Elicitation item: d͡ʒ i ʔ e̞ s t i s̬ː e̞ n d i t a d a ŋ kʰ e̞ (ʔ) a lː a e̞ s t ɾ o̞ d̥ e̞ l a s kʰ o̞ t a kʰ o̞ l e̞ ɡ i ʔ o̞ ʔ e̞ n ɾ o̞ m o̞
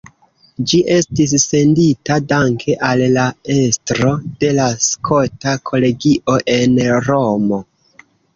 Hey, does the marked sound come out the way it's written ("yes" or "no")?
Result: yes